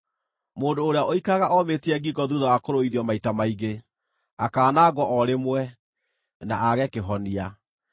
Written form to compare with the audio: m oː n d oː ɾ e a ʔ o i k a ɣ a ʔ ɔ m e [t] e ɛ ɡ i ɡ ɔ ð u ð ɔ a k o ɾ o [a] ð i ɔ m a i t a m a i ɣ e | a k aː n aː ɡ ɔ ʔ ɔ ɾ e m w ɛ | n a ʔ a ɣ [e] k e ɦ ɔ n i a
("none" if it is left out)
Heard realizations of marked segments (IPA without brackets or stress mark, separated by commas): t, i, ɛ